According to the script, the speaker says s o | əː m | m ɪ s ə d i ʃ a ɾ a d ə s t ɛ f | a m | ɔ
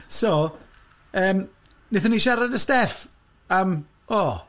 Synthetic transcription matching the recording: s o | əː m | n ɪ θ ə n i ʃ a ɾ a d ə s t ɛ f | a m | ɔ